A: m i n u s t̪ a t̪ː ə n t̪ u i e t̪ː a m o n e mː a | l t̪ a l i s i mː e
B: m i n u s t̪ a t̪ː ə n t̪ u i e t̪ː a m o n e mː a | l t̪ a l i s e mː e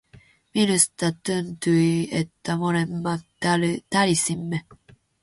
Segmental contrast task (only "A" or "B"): A